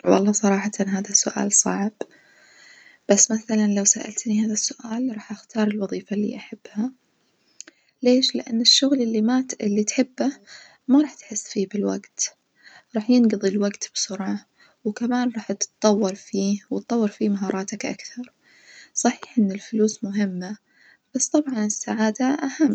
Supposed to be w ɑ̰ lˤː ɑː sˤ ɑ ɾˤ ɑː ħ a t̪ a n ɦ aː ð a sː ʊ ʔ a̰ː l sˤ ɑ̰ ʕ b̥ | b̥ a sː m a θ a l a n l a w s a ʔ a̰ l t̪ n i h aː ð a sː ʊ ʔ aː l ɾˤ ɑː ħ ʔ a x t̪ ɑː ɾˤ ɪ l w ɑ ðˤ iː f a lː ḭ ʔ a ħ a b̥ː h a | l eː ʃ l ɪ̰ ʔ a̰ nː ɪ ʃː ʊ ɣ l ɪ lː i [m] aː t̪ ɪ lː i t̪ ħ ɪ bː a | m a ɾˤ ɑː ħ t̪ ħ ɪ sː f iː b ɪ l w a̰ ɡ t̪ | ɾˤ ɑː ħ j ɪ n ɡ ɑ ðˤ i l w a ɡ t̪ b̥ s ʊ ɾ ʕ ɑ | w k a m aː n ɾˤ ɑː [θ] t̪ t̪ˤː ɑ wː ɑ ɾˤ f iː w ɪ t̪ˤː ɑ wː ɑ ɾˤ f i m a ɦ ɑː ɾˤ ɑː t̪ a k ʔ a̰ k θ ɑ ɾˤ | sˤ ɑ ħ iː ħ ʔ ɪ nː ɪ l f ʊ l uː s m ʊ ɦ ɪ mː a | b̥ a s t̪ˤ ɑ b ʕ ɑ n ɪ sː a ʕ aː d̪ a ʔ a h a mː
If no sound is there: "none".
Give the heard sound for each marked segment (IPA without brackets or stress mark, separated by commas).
m, ħ